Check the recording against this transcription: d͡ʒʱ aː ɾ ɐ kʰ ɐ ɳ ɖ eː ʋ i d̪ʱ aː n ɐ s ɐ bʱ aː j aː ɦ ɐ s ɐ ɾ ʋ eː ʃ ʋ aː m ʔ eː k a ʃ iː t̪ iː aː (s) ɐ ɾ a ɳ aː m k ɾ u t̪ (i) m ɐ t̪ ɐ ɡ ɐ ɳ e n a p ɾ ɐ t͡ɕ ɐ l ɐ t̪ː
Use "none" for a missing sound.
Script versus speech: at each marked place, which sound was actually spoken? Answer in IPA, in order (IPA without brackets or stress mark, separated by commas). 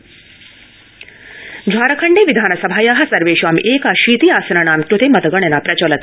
s, e